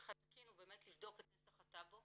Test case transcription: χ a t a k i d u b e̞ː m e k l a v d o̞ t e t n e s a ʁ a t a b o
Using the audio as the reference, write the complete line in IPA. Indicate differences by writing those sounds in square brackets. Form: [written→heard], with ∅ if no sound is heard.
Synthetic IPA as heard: χ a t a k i [d→n] u b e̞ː m e [k→t] l [a→i] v d o̞ [t→k] e t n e s a [ʁ→χ] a t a b o